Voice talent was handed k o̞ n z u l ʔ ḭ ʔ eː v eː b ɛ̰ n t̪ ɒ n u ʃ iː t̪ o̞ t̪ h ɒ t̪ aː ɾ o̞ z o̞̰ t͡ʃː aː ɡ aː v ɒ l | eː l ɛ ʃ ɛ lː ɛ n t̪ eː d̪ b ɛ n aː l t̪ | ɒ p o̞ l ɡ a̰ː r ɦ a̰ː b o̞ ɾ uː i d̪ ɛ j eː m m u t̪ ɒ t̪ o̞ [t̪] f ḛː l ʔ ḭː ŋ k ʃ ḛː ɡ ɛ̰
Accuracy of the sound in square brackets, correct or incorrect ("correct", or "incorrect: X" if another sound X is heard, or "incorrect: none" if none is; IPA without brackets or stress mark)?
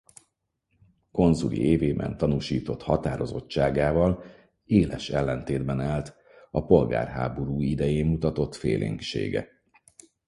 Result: correct